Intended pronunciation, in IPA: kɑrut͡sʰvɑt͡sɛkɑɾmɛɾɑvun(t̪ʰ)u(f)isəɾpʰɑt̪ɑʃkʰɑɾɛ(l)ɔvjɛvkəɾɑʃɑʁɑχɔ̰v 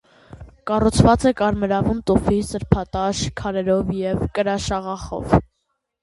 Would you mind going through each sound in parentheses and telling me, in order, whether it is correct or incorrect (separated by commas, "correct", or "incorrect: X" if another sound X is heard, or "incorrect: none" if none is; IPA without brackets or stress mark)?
incorrect: t̪, correct, incorrect: ɾ